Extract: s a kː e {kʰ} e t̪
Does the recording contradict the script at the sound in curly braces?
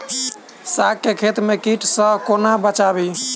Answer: no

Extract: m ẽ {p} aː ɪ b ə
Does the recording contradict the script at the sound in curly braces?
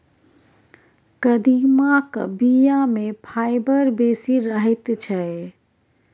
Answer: yes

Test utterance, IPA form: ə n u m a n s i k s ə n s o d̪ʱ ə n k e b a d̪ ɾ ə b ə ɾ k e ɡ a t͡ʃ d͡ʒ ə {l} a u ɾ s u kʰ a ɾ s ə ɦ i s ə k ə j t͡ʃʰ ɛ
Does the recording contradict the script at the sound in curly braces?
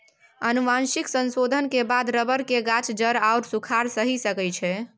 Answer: yes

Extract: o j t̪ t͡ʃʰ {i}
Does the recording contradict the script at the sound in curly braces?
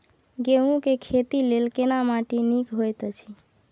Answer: no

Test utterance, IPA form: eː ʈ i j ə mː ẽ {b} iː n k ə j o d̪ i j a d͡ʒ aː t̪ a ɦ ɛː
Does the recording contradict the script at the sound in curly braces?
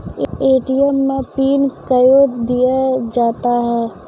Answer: yes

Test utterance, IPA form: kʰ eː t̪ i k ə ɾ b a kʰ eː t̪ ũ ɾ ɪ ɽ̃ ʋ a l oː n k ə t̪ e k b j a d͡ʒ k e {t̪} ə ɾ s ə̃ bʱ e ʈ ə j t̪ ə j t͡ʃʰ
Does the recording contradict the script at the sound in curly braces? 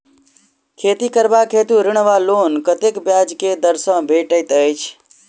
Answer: yes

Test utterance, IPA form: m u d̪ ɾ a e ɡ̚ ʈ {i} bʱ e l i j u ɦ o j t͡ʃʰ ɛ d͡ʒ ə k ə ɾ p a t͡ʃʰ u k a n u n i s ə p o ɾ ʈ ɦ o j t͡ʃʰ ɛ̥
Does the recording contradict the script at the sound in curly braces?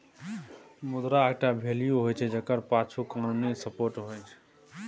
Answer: yes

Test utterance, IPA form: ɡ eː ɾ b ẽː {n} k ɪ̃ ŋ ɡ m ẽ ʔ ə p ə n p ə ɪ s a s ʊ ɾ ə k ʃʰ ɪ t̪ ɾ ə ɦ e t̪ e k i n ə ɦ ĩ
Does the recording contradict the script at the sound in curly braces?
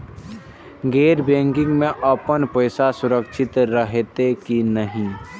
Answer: yes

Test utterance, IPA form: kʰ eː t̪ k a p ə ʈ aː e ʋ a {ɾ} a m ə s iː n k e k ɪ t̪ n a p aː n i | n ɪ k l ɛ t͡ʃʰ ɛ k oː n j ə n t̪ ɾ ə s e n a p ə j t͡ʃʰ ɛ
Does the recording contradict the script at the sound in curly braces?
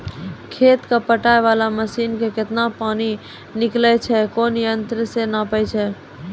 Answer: yes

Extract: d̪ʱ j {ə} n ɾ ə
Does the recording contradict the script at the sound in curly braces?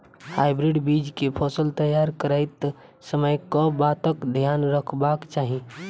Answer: yes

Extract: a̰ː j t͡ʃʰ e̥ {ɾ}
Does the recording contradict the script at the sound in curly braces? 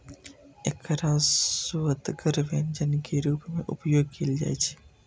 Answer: yes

